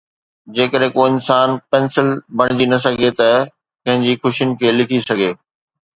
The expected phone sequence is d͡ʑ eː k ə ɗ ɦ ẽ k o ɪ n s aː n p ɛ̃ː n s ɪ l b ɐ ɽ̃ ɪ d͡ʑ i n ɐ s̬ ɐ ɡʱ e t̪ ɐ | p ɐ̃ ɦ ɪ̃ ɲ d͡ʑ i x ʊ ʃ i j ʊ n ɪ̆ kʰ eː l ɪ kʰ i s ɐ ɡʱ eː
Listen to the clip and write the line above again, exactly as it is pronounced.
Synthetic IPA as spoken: d͡ʑ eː k ə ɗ ɦ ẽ k o ɪ n s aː n p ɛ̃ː n s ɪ l b ɐ ɽ̃ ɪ d͡ʑ i n ɐ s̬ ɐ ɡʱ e t̪ ɐ | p ɐ̃ ɦ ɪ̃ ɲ d͡ʑ i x ʊ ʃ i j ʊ n ɪ̆ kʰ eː l ɪ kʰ i s ɐ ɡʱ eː